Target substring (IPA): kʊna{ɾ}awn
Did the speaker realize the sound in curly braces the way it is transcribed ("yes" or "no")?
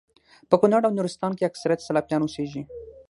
no